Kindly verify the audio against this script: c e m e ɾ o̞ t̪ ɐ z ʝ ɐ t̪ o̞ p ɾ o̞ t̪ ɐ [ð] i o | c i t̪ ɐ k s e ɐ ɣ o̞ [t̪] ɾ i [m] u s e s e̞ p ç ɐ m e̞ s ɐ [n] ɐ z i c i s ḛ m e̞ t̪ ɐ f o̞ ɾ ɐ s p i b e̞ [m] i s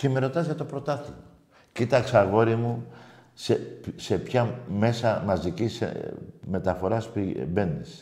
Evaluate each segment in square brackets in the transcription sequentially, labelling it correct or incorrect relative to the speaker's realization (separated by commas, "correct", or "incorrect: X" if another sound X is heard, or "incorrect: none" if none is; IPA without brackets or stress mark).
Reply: incorrect: θ, incorrect: none, correct, incorrect: m, incorrect: n